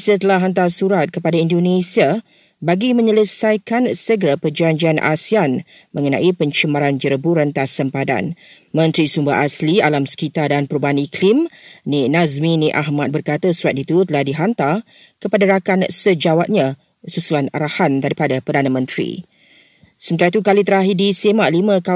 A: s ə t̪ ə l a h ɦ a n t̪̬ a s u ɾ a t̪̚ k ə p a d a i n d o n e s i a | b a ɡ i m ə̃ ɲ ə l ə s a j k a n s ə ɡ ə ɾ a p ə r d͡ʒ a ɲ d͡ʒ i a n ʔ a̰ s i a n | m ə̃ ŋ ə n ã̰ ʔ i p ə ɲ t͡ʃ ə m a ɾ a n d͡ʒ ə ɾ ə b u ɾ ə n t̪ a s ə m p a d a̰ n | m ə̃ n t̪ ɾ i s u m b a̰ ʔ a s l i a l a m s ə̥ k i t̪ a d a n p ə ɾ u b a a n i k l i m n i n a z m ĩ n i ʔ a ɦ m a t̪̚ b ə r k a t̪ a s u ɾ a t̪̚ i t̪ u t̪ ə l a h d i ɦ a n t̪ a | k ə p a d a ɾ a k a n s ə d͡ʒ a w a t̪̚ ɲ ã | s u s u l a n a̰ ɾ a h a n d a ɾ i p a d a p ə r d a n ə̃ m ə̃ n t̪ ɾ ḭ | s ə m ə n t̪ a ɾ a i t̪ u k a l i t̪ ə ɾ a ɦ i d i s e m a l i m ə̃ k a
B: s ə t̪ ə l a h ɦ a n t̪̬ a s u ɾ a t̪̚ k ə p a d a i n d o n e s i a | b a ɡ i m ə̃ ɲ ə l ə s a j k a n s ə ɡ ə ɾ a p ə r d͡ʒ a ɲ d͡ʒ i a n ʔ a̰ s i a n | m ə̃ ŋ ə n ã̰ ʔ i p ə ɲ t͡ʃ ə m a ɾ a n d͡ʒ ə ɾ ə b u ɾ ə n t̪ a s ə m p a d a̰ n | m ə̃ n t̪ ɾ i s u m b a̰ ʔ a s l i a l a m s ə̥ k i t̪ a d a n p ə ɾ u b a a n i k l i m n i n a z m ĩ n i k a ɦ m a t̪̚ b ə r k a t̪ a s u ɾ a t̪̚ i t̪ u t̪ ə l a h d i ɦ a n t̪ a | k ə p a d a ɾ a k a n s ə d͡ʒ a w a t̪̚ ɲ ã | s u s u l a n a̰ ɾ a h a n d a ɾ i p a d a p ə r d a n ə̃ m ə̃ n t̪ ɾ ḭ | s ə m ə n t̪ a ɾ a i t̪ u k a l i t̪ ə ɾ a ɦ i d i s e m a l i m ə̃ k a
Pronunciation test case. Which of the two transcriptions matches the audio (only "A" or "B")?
A